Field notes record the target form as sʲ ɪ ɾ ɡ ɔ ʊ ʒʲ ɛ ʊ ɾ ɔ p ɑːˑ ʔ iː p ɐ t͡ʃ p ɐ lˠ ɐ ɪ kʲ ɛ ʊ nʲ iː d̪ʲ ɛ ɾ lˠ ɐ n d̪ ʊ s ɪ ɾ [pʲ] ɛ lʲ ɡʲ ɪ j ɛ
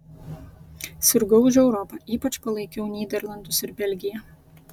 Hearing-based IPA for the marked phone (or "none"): bʲ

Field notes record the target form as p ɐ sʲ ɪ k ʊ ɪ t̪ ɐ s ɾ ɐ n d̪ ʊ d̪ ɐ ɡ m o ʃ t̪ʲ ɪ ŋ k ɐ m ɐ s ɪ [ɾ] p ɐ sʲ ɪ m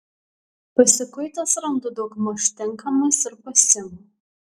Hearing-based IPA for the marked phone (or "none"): ɾ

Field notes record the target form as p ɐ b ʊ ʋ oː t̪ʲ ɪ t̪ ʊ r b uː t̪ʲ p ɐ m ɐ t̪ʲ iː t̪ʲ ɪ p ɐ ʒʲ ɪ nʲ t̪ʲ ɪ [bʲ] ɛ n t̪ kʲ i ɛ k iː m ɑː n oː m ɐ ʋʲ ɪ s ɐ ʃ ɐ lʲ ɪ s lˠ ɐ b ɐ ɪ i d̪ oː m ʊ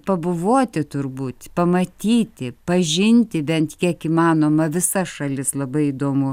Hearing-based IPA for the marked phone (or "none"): bʲ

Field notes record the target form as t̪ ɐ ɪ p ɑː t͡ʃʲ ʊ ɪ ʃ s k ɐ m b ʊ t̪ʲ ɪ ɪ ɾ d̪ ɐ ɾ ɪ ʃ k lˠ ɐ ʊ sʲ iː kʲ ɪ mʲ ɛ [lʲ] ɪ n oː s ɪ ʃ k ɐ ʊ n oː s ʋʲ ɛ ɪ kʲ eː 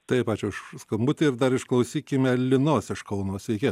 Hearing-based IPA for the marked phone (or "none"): lʲ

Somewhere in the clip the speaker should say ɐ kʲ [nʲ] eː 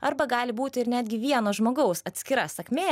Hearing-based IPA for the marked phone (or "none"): mʲ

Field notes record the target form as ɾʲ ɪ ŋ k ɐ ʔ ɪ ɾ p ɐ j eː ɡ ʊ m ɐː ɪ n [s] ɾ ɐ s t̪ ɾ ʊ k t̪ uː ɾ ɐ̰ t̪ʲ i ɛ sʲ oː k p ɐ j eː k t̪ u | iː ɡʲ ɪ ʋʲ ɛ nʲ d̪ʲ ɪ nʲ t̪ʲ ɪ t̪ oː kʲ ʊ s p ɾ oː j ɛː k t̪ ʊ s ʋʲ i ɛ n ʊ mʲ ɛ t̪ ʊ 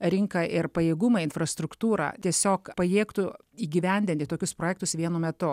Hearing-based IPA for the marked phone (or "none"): f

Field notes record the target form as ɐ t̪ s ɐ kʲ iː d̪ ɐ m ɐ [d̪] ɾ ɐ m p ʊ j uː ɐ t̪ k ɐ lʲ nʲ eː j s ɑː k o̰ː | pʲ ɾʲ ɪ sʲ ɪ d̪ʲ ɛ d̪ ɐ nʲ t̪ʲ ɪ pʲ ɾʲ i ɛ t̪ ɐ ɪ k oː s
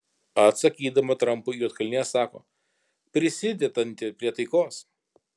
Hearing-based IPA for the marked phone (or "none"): t̪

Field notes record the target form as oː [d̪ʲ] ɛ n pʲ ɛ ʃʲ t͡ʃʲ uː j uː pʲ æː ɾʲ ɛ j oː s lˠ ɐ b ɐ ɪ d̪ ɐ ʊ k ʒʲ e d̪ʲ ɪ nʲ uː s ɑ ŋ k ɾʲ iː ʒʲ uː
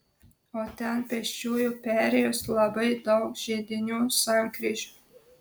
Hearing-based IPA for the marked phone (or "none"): t̪ʲ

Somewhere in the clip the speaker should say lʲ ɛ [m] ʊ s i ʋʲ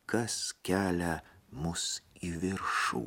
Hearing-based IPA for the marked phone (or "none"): m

